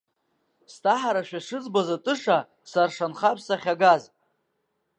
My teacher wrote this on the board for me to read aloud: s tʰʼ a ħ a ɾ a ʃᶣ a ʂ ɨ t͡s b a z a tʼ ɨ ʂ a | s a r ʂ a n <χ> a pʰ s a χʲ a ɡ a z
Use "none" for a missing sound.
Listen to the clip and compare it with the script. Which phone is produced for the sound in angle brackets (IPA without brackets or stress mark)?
χ